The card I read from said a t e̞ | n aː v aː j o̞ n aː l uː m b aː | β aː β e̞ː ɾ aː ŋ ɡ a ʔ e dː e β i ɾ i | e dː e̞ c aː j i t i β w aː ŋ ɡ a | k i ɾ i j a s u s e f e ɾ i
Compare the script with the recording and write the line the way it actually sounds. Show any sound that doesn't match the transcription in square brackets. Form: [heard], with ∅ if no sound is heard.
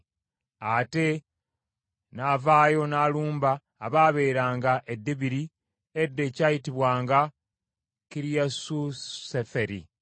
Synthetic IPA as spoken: a t e̞ | n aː v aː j o̞ n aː l uː m b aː | β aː β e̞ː ɾ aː ŋ ɡ a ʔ e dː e β i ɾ i | e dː e̞ c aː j i t i β w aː ŋ ɡ a | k i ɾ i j a s u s e f e ɾ i